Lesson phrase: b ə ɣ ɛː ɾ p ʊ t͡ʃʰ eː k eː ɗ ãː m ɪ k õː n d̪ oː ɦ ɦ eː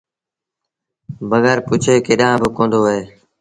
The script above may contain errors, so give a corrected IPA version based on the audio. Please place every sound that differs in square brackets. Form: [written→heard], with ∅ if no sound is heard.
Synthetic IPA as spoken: b ə ɣ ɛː ɾ p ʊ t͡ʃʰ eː k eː ɗ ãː [m→b] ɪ k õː n d̪ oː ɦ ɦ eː